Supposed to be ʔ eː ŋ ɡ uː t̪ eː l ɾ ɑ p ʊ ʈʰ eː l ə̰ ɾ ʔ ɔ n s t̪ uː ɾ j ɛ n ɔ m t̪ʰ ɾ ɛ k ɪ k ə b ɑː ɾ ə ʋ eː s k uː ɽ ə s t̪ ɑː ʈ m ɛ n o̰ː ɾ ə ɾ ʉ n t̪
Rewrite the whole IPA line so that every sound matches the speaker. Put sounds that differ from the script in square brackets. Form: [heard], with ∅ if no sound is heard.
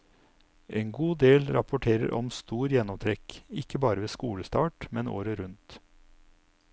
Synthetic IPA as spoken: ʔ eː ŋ ɡ uː [d̪] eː l ɾ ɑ p ʊ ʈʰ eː [ɾ] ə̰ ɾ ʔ ɔ [m] s t̪ uː ɾ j ɛ n ɔ m t̪ʰ ɾ ɛ k ɪ k ə b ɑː ɾ ə ʋ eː s k uː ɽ ə s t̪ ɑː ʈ m ɛ n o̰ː ɾ ə ɾ ʉ n t̪

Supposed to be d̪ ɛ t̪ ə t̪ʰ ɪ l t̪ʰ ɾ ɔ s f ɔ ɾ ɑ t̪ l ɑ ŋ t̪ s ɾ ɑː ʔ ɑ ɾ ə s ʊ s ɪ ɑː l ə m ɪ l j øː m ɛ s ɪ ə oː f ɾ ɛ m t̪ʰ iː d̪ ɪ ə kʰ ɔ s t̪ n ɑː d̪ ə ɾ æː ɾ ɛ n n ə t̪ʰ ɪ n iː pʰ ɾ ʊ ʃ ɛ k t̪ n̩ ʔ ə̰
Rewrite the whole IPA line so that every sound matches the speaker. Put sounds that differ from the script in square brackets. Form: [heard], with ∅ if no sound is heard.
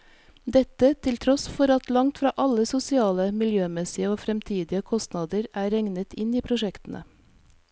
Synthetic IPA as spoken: d̪ ɛ t̪ ə t̪ʰ ɪ l t̪ʰ ɾ ɔ s f ɔ ɾ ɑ t̪ l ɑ ŋ t̪ [f] ɾ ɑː ʔ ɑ [l] ə s ʊ s ɪ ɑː l ə m ɪ l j øː m ɛ s ɪ ə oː f ɾ ɛ m t̪ʰ iː d̪ ɪ ə kʰ ɔ s t̪ n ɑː d̪ ə ɾ æː ɾ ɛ [ŋ] n ə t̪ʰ ɪ n iː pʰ ɾ ʊ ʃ ɛ k t̪ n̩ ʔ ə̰

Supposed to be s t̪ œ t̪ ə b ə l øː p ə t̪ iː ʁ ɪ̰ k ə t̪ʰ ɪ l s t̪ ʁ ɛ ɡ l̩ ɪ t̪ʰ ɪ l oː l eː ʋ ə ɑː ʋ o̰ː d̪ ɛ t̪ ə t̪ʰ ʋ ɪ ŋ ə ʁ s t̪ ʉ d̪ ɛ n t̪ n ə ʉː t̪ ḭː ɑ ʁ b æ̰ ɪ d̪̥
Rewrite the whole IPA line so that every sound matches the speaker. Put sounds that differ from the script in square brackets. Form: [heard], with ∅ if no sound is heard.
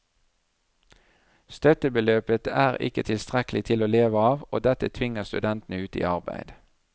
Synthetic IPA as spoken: s t̪ œ t̪ ə b ə l øː p ə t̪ [æː] ʁ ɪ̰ k ə t̪ʰ ɪ l s t̪ ʁ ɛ [k] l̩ ɪ t̪ʰ ɪ l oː l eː ʋ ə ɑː ʋ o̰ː d̪ ɛ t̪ ə t̪ʰ ʋ ɪ ŋ ə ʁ s t̪ ʉ d̪ ɛ n t̪ n ə ʉː t̪ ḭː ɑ ʁ b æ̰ ɪ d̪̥

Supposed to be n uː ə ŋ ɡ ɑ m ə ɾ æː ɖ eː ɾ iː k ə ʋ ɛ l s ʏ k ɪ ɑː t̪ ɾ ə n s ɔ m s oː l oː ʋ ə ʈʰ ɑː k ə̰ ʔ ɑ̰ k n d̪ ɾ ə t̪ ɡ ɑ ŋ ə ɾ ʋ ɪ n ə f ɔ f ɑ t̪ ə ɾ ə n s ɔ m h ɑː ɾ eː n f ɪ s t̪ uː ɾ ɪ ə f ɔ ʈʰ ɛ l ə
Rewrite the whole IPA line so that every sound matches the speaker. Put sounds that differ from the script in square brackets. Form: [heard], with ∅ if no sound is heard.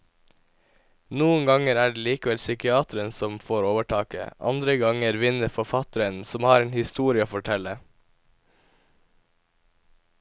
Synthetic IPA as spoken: n uː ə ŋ ɡ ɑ [ŋ] ə ɾ æː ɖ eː [l] iː k ə ʋ ɛ l s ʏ k ɪ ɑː t̪ ɾ ə n s ɔ m [f] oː [ɾ] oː ʋ ə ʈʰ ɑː k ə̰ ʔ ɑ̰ [∅] n d̪ ɾ ə [∅] ɡ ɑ ŋ ə ɾ ʋ ɪ n ə f ɔ f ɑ t̪ ə ɾ ə n s ɔ m h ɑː ɾ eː n [h] ɪ s t̪ uː ɾ ɪ ə f ɔ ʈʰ ɛ l ə

